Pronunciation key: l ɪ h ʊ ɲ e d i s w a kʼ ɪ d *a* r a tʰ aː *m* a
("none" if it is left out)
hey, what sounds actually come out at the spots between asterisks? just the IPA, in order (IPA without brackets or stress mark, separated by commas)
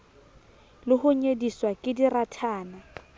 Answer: i, n